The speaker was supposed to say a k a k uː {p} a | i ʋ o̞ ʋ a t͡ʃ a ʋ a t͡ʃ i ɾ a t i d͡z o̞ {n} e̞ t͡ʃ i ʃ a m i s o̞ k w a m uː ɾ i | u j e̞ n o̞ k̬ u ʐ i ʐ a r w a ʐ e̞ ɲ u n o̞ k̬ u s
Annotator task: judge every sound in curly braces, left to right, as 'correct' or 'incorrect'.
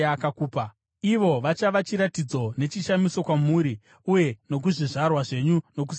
correct, correct

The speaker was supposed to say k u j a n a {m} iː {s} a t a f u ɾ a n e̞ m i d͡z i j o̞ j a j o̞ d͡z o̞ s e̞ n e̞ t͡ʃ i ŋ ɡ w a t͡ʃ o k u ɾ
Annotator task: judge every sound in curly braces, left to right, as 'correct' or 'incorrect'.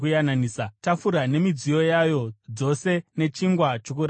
incorrect, correct

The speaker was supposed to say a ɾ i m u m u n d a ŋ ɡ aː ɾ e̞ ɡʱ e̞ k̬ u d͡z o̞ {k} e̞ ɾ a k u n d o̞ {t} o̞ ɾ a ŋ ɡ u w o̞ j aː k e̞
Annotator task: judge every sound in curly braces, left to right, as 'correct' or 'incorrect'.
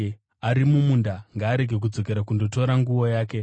correct, correct

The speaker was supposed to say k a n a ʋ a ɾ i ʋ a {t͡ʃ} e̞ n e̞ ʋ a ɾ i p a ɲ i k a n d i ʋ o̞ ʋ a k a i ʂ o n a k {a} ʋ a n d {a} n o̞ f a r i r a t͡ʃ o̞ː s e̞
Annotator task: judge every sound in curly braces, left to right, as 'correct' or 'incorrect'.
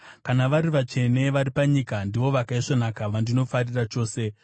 correct, correct, incorrect

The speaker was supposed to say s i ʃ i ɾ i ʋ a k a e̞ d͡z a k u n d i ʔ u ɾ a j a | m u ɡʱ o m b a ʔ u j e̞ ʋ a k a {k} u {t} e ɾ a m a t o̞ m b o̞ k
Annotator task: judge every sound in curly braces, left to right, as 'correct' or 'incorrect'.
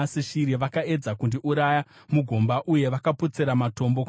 incorrect, incorrect

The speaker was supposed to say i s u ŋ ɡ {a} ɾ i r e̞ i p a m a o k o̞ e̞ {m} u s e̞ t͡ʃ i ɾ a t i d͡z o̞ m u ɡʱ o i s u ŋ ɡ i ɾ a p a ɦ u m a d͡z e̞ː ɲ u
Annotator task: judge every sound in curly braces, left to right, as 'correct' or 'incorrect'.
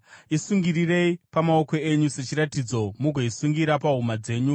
incorrect, incorrect

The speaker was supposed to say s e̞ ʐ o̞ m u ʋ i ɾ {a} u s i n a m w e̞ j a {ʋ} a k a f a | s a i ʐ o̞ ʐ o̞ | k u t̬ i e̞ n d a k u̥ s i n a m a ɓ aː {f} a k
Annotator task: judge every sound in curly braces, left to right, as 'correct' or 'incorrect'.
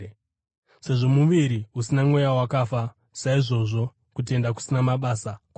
incorrect, incorrect, incorrect

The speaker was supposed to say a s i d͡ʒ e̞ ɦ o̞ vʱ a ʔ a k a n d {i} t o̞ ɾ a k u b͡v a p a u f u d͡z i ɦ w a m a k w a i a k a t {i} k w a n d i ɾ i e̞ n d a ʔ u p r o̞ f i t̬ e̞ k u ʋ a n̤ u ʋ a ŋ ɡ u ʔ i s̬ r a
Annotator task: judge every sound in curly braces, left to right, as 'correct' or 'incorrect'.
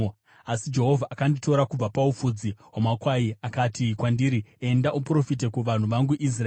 correct, correct

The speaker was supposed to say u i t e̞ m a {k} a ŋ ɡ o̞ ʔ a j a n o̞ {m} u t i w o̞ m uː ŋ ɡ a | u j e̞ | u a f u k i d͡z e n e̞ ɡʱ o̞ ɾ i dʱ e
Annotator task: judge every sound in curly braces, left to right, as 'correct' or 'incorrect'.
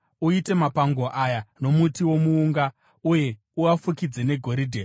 incorrect, correct

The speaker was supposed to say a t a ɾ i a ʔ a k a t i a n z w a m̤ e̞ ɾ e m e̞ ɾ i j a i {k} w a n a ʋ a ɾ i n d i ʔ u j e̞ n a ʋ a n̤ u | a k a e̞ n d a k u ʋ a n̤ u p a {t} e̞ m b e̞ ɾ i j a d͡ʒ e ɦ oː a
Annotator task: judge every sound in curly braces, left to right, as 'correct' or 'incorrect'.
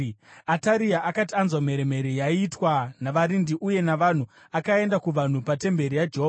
incorrect, correct

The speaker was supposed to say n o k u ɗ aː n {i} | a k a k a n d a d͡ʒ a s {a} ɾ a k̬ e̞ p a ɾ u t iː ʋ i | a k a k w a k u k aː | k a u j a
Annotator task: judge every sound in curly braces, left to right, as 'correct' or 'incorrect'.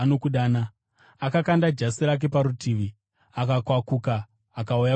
incorrect, incorrect

